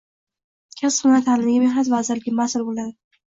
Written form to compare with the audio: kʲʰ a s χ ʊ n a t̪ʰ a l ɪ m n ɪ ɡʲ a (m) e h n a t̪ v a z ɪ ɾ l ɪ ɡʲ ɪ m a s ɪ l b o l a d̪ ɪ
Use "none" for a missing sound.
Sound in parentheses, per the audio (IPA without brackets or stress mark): m